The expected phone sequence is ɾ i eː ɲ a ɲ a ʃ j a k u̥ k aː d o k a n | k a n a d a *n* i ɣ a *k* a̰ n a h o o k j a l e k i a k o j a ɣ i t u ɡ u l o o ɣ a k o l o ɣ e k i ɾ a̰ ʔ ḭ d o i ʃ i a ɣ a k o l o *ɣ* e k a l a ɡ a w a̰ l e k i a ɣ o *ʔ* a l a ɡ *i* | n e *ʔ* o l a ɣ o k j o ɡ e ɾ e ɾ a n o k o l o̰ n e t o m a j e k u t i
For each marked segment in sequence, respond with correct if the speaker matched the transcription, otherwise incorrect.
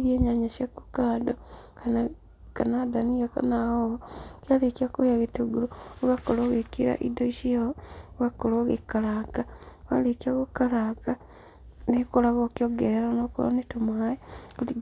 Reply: correct, correct, correct, incorrect: k, incorrect: a, incorrect: k

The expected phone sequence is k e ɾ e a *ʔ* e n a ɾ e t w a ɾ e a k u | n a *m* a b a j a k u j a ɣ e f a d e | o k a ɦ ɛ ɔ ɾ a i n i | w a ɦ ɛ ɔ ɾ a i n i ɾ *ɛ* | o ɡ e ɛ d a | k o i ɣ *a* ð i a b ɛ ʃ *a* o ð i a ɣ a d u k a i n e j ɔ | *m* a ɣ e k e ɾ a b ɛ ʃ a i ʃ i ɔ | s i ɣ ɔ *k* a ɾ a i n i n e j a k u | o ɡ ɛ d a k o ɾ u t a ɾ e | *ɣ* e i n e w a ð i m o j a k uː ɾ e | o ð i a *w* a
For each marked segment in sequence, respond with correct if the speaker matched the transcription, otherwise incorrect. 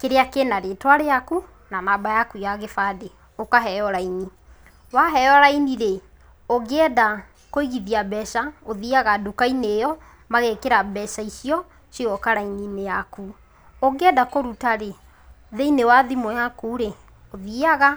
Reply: incorrect: k, incorrect: n, incorrect: e, incorrect: i, correct, correct, correct, incorrect: ð, incorrect: ɣ

